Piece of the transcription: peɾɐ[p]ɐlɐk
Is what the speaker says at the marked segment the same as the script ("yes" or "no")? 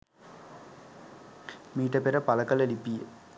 yes